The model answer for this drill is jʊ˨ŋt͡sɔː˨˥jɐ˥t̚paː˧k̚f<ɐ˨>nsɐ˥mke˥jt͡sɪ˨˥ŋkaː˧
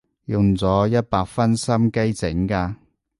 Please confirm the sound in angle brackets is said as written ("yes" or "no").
no